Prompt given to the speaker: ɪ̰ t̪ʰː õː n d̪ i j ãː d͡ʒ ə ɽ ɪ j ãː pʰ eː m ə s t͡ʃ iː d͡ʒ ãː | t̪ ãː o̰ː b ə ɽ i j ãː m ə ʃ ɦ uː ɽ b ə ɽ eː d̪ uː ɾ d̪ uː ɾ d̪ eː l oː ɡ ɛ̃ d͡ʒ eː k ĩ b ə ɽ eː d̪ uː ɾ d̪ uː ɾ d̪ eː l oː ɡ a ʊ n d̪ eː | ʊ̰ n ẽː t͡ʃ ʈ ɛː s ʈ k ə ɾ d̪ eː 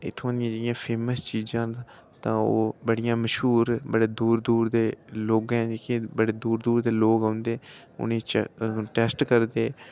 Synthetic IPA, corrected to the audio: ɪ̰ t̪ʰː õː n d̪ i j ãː d͡ʒ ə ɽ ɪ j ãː pʰ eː m ə s t͡ʃ iː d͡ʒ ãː | t̪ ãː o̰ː b ə ɽ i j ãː m ə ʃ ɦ uː ɾ b ə ɽ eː d̪ uː ɾ d̪ uː ɾ d̪ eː l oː ɡ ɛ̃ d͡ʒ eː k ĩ b ə ɽ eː d̪ uː ɾ d̪ uː ɾ d̪ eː l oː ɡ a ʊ n d̪ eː | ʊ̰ n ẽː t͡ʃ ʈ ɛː s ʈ k ə ɾ d̪ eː